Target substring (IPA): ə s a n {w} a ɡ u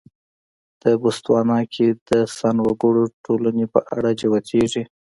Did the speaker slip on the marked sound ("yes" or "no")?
no